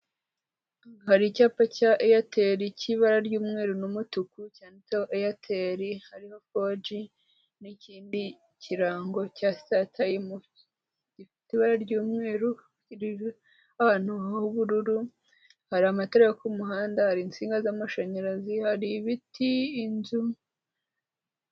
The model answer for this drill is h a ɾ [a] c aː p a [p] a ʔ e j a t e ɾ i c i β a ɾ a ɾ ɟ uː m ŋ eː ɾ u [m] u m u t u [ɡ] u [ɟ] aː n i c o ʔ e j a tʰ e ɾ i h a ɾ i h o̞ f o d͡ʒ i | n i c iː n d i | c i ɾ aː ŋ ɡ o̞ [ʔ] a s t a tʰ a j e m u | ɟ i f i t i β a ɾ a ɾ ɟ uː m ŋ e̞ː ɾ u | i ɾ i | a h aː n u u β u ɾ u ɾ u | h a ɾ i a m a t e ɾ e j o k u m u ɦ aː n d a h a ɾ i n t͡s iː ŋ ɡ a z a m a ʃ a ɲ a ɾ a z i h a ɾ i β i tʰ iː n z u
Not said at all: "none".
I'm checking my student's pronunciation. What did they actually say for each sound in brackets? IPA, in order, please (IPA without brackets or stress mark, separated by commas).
i, c, n, k, c, c